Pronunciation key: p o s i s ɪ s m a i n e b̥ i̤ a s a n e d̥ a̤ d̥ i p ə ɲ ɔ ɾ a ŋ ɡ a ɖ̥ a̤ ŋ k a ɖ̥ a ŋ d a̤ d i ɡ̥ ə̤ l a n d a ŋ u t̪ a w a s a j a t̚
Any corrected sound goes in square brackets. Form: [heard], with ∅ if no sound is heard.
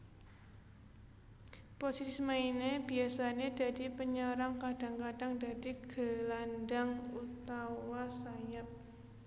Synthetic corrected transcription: p o s i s [i] s m a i n e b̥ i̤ a s a n e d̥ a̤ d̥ i p ə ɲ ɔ ɾ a ŋ [k] a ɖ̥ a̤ ŋ k a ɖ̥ a ŋ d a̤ d i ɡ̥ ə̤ l a n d a ŋ u t̪ a w a s a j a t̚